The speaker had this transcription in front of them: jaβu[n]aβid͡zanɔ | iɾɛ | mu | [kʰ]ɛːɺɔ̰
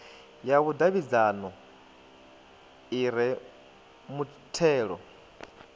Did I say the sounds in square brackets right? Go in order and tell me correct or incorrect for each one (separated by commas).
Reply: incorrect, incorrect